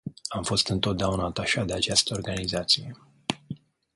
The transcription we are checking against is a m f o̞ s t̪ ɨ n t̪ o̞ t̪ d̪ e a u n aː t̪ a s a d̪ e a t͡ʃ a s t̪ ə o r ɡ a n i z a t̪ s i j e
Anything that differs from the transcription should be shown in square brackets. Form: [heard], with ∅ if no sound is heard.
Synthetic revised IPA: a m f o̞ s t̪ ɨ n t̪ o̞ t̪ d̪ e a u n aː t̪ a [ʃ] a d̪ e a t͡ʃ a s t̪ ə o r ɡ a n i z a t̪ s i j e